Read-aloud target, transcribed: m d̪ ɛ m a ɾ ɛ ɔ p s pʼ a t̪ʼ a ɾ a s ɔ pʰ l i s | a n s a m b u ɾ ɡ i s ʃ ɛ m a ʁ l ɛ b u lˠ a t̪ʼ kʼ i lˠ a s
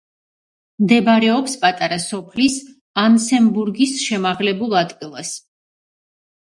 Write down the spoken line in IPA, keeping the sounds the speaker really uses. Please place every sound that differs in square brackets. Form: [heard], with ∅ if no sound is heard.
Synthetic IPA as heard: m d̪ ɛ [b] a ɾ ɛ ɔ p s pʼ a t̪ʼ a ɾ a s ɔ pʰ l i s | a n s [ɛ] m b u ɾ ɡ i s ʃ ɛ m a ʁ l ɛ b u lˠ a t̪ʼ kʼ i lˠ a s